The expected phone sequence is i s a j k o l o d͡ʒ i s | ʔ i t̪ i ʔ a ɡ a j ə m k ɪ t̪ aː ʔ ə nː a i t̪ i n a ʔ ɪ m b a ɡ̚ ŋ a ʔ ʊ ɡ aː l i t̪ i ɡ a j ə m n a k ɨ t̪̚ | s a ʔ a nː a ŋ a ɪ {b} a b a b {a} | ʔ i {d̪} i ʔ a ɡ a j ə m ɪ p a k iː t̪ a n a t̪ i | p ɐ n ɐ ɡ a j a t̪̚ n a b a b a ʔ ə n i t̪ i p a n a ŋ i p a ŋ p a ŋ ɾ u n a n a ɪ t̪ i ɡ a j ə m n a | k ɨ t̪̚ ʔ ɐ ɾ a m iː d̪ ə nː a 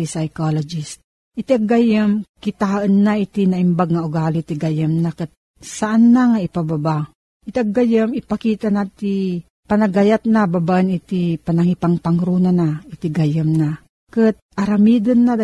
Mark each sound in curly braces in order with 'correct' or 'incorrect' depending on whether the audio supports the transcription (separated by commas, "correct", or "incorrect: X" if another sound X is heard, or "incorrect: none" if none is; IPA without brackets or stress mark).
incorrect: p, correct, incorrect: t̪